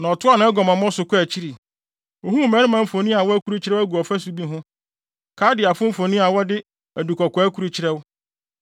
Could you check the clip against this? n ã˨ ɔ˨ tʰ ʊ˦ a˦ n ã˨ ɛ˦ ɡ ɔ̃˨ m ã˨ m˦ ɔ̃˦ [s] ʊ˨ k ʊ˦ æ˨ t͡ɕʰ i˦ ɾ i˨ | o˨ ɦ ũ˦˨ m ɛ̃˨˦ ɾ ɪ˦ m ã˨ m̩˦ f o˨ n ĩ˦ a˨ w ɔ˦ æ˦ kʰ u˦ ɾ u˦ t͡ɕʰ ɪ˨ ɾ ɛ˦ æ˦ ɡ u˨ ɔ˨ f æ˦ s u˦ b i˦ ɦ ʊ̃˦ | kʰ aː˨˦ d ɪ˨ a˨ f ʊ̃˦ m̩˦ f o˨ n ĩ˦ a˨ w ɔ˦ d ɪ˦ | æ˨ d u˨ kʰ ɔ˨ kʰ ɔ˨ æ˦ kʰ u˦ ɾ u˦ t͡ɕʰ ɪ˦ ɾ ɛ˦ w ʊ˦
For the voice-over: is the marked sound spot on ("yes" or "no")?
yes